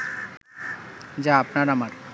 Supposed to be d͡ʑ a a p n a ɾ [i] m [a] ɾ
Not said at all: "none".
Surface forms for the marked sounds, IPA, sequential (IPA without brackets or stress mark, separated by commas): a, a